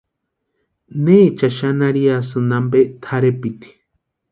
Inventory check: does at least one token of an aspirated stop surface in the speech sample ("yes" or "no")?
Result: yes